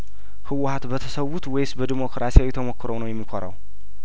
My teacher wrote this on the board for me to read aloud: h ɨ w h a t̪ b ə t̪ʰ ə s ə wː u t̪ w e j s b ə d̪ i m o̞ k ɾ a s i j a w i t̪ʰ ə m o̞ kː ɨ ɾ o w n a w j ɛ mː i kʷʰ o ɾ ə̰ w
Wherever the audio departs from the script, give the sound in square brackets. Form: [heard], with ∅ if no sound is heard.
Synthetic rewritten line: h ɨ w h a t̪ b ə t̪ʰ ə s ə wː u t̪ w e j s b ə d̪ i m o̞ k ɾ a s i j a w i t̪ʰ ə m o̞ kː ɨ ɾ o w n [ə] w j ɛ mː i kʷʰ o ɾ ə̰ w